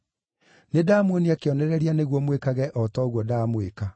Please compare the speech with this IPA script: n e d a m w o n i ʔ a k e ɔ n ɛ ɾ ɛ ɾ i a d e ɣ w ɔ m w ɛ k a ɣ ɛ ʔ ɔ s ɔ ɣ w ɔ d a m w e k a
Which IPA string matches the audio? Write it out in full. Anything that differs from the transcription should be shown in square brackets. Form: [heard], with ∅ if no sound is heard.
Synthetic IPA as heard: n e d a m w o n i [∅] a k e ɔ n ɛ ɾ ɛ ɾ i a [n] e ɣ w ɔ m w [e] k a ɣ ɛ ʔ ɔ [t] ɔ ɣ w ɔ d a m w e k a

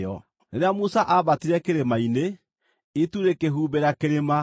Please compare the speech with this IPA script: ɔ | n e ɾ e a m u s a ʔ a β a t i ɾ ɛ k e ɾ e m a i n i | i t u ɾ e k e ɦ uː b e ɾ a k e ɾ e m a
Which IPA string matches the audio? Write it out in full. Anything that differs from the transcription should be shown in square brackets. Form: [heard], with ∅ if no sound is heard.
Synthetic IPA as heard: ɔ | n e ɾ e a m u s a ʔ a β a t i ɾ ɛ k e ɾ e m a i n [e] | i t u ɾ e k e ɦ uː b e ɾ a k e ɾ e m a

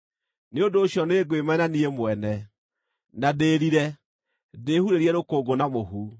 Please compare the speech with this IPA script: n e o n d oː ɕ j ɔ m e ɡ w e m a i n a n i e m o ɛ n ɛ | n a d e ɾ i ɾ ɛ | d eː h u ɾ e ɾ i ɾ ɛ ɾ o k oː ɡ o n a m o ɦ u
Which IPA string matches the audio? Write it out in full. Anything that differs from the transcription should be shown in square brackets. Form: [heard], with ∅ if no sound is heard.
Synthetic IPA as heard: n e o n d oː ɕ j ɔ [n] e ɡ w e m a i n a n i e m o ɛ n ɛ | n a d e ɾ i ɾ ɛ | d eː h u ɾ e ɾ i [∅] ɛ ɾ o k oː ɡ o n a m o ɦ u

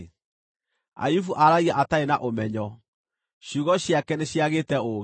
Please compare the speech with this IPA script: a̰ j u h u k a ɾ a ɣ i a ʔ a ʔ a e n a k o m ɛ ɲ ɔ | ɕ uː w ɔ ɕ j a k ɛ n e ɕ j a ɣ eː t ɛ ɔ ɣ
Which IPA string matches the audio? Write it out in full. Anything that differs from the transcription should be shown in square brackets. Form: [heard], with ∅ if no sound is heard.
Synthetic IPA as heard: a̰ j u [f] u [ʔ] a ɾ a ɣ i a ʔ a [t] a e n a [ʔ] o m ɛ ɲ ɔ | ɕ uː [ɣ] ɔ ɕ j a k ɛ n e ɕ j a ɣ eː t ɛ [o] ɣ

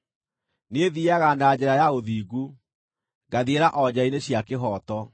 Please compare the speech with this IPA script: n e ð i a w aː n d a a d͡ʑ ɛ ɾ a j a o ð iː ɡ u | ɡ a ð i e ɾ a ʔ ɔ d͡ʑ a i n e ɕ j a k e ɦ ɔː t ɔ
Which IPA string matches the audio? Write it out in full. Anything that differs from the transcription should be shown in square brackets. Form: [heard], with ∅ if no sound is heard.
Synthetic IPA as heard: n e ð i a [ɣ] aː n d a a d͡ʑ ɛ ɾ a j a o ð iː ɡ u | ɡ a ð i e ɾ a ʔ ɔ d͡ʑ a i n e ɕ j a k e ɦ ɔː t ɔ

